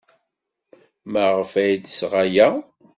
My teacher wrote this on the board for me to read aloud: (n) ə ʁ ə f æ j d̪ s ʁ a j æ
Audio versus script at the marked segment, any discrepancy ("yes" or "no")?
yes